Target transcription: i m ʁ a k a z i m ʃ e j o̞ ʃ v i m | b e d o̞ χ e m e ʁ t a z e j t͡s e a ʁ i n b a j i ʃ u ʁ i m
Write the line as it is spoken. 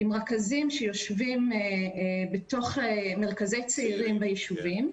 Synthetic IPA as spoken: i m ʁ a k a z i m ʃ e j o̞ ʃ v i m | b e t o̞ χ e m e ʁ k a z e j t͡s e i ʁ i m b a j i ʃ u v i m